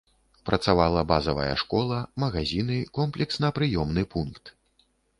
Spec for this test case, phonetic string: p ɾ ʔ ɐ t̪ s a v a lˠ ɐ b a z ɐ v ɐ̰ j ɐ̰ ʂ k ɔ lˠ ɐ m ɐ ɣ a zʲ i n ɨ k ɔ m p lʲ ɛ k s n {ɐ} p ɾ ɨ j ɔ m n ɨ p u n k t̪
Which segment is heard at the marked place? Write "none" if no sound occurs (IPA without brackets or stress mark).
ɐ